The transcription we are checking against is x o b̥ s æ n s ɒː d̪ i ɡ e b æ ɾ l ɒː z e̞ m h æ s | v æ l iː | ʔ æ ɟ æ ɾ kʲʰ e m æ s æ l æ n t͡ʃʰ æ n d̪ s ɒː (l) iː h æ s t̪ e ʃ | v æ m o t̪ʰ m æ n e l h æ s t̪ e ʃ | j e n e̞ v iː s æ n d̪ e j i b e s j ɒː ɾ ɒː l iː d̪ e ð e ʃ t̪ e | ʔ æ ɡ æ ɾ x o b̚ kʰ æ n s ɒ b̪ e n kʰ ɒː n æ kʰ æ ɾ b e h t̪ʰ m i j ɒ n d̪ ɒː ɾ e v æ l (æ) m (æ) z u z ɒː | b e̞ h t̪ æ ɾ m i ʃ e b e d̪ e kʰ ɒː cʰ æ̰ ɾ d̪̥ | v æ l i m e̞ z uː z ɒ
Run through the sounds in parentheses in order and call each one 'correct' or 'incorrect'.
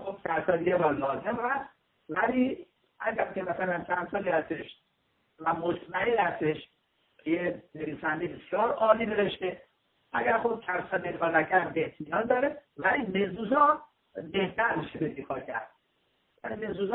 correct, incorrect: i, incorrect: e

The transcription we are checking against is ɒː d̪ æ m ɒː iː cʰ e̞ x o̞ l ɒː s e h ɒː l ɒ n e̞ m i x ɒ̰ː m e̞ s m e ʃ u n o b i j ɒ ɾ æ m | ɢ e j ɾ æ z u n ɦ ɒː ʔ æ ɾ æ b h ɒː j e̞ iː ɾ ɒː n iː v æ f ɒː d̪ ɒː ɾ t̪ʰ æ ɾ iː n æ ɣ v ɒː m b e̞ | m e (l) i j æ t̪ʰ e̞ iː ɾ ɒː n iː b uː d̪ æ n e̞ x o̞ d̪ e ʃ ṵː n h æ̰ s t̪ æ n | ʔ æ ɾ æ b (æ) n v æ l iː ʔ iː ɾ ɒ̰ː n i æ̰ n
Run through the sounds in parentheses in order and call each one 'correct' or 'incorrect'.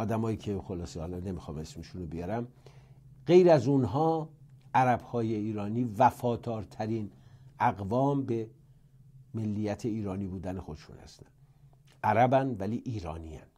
incorrect: lː, correct

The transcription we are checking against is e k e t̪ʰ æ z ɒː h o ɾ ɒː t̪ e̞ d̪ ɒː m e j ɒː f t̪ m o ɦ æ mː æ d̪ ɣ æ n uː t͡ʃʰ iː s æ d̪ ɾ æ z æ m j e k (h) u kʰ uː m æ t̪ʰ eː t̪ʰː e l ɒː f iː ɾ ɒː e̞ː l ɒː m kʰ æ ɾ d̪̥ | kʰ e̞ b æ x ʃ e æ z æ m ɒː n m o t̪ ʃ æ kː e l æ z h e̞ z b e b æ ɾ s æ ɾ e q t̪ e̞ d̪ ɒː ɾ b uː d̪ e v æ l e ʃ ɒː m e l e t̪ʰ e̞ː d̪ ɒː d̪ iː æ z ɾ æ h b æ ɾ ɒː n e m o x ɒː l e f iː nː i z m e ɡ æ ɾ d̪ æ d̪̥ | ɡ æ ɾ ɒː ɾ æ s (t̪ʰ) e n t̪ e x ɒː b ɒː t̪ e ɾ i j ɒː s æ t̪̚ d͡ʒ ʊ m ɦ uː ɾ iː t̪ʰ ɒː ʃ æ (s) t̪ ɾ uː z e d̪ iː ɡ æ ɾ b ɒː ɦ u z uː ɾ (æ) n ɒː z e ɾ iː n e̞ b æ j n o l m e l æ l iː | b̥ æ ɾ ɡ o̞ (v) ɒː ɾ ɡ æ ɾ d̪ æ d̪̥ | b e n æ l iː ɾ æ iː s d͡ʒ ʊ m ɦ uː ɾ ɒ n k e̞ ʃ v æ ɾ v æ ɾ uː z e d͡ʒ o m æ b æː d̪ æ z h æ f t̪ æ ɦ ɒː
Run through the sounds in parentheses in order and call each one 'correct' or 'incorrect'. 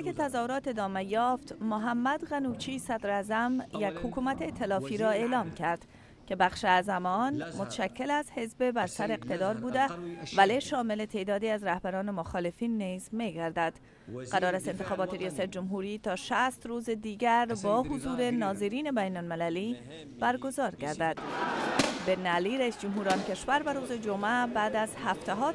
correct, incorrect: t̪, correct, incorrect: e, incorrect: z

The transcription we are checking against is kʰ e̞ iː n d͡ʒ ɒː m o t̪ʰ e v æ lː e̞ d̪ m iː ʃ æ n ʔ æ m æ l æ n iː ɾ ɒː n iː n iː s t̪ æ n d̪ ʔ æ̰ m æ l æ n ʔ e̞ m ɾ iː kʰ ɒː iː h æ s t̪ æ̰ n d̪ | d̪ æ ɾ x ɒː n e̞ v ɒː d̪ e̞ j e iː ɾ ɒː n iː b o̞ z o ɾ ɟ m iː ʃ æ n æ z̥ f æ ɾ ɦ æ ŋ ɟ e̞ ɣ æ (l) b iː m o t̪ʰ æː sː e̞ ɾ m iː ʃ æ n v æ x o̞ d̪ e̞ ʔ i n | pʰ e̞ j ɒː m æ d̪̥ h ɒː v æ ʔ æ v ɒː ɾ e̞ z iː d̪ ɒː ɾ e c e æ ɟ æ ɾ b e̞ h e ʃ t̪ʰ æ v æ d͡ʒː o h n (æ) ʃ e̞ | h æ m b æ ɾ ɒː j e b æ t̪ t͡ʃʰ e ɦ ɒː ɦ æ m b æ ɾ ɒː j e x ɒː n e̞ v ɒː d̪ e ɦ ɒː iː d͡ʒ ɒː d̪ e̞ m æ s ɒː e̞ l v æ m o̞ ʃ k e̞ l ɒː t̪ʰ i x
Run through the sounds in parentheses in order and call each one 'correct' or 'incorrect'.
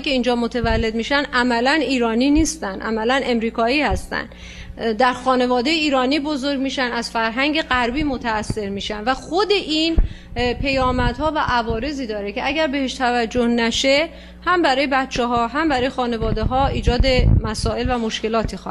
incorrect: ɾ, correct

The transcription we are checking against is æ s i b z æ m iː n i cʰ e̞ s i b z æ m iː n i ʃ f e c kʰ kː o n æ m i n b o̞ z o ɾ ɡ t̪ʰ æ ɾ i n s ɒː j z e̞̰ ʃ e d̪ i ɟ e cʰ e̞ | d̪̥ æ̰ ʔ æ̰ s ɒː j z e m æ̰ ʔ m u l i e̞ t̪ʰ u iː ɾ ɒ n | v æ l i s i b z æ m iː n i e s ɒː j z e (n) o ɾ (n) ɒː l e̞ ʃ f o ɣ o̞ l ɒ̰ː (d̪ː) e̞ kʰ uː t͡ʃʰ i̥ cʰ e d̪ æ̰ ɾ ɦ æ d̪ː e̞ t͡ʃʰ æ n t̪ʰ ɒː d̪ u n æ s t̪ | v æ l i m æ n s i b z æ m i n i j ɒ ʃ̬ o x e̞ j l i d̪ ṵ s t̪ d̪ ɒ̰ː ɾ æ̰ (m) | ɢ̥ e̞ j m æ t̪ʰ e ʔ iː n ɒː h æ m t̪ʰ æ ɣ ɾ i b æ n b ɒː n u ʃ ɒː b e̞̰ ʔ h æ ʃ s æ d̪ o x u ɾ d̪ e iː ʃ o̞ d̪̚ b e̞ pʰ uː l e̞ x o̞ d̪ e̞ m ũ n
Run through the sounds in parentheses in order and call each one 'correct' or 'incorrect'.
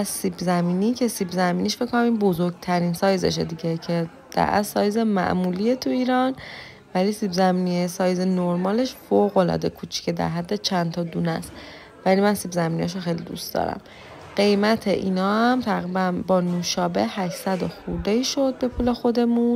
correct, incorrect: m, incorrect: d̪, correct

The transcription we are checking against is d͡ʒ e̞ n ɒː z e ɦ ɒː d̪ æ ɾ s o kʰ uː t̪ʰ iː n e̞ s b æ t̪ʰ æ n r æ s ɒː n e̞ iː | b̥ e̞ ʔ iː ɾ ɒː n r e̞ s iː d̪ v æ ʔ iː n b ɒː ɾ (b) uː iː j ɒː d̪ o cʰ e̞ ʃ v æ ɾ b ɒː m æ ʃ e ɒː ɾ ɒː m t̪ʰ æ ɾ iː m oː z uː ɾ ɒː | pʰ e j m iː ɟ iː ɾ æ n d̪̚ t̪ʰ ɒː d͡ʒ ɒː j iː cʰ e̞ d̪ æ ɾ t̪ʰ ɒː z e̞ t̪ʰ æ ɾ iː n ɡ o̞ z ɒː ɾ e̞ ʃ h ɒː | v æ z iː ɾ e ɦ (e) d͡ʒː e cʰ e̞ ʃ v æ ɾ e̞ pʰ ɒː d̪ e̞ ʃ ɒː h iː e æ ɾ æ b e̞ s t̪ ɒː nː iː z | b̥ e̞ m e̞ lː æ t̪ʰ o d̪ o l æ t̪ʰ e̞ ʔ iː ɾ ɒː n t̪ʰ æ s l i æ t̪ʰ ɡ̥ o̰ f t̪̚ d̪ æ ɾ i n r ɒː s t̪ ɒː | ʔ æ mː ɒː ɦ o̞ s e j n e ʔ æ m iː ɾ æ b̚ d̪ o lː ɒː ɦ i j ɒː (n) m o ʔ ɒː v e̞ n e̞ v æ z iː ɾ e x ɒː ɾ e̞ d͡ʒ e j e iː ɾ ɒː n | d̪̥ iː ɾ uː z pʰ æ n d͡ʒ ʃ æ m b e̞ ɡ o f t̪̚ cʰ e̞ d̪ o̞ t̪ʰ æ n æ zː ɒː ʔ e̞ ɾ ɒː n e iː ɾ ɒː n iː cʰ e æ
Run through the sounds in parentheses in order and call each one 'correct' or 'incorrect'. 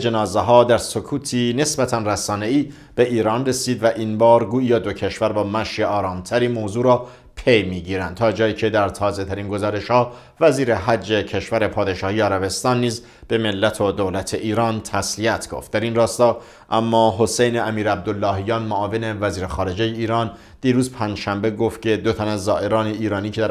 incorrect: ɡ, incorrect: æ, correct

